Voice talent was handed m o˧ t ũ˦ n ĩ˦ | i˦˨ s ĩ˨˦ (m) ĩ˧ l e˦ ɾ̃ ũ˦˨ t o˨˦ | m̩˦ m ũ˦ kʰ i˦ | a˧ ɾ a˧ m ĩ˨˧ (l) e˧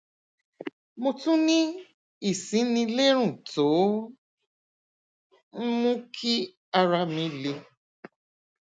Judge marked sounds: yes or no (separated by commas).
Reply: no, yes